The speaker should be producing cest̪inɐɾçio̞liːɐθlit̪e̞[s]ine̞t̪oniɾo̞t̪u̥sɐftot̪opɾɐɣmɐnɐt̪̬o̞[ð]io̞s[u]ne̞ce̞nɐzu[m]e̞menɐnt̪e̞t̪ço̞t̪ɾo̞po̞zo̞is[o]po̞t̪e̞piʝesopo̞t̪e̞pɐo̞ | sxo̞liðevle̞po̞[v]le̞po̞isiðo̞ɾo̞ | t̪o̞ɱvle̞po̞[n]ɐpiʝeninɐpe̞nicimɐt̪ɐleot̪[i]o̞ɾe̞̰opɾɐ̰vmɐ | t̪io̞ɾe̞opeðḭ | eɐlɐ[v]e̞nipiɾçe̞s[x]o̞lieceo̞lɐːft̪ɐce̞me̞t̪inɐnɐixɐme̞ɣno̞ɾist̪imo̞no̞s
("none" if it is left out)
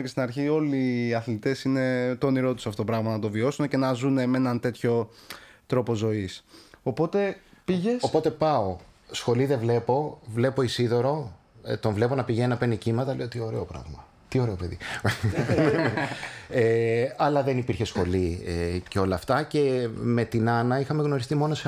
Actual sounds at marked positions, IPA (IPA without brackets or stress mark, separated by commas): s, v, u, n, o, v, n, i, ð, x